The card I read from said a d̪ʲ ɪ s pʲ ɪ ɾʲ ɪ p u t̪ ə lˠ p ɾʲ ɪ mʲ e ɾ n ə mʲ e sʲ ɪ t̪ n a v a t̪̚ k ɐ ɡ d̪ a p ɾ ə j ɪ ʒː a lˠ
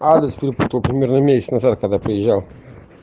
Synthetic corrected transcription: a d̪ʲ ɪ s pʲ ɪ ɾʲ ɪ p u t̪ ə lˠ p ɾʲ ɪ mʲ e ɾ n ə mʲ e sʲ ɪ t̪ n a z a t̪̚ k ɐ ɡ d̪ a p ɾ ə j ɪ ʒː a lˠ